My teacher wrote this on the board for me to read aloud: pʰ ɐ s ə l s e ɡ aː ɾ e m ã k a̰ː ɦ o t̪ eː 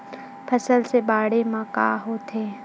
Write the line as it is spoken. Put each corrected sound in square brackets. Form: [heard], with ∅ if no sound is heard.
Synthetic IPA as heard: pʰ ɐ s ə l s e [b] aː [ɽ] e m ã k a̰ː ɦ o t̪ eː

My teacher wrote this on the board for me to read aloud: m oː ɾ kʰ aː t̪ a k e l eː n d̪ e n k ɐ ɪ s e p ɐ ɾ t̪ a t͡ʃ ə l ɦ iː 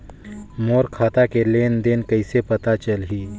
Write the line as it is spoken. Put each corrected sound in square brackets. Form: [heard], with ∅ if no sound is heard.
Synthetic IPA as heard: m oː ɾ kʰ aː t̪ a k e l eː n d̪ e n k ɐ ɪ s e p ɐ [∅] t̪ a t͡ʃ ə l ɦ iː

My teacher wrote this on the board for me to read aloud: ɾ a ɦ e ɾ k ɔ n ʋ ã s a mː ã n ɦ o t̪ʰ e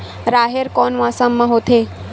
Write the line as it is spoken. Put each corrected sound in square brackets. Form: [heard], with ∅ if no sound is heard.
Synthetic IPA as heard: ɾ a ɦ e ɾ k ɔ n ʋ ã s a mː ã [∅] ɦ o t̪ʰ e

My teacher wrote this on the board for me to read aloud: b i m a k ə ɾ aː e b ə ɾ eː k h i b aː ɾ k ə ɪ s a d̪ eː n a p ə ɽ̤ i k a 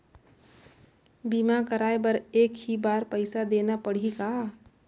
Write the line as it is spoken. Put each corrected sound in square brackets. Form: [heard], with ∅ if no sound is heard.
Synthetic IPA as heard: b i m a k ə ɾ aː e b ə ɾ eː k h i b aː ɾ [p] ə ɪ s a d̪ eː n a p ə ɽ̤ i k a

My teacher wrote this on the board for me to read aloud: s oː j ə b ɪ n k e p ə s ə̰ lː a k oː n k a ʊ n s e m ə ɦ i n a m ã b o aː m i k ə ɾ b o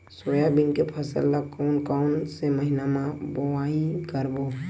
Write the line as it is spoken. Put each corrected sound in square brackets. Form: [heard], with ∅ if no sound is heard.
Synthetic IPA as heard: s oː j [a] b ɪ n k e [pʰ] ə s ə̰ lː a k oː n k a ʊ n s e m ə ɦ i n a m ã b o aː [∅] i k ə ɾ b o

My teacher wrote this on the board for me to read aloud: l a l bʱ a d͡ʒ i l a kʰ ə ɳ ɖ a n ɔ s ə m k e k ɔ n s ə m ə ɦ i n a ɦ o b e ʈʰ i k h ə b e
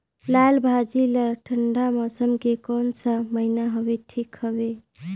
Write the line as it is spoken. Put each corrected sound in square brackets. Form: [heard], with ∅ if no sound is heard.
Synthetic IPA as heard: l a l bʱ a d͡ʒ i l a [ʈʰ] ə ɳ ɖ a [m] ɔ s ə m k e k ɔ n s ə m ə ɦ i n a ɦ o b e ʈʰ i k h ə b e

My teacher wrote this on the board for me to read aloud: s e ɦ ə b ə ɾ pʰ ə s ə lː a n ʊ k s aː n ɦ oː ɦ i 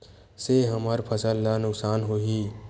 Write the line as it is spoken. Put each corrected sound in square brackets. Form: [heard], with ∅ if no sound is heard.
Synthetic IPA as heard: s e ɦ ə [m] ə ɾ pʰ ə s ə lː a n ʊ k s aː n ɦ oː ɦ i

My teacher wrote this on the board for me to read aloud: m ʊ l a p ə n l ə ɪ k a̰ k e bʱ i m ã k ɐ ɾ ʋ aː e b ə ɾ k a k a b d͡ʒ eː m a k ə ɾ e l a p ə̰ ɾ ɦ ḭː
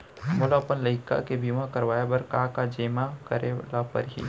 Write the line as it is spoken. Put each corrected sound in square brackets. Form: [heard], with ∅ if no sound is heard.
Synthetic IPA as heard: m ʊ l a p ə n l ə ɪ k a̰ k e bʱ i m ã k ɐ ɾ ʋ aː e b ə ɾ k a k a [∅] d͡ʒ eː m a k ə ɾ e l a p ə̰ ɾ ɦ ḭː

